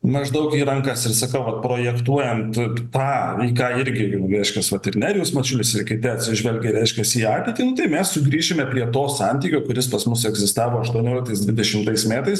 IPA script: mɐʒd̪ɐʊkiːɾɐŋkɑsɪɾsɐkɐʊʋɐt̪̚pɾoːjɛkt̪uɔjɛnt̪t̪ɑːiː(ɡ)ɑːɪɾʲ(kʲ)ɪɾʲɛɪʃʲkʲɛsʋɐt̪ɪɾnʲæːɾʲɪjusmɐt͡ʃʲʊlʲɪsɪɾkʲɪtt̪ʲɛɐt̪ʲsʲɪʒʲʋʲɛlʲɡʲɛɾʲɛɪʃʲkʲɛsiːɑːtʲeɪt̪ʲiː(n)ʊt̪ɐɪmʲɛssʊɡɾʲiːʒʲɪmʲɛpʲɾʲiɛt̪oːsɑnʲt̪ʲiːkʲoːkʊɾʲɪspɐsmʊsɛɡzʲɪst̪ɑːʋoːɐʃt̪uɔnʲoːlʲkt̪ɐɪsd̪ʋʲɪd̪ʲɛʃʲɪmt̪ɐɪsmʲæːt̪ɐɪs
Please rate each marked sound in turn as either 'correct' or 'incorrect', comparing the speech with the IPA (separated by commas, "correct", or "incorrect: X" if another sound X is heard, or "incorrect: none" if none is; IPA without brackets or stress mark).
incorrect: k, incorrect: ɡʲ, correct